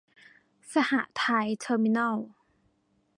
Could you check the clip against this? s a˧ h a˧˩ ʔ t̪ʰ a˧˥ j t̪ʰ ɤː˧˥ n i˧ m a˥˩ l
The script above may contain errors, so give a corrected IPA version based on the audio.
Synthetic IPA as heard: s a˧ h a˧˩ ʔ t̪ʰ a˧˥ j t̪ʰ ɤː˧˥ m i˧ n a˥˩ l